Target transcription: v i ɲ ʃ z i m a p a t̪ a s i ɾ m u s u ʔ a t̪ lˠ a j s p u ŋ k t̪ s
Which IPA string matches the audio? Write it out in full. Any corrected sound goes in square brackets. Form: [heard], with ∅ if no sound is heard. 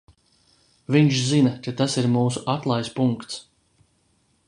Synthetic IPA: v i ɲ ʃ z i [n] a [k] a t̪ a s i ɾ m [uː] s u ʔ a t̪ lˠ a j s p u ŋ k t̪ s